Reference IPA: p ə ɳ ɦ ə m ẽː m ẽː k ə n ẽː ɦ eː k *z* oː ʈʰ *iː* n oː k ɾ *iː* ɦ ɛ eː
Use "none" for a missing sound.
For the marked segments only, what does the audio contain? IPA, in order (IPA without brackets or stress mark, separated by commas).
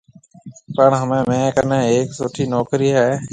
s, iː, iː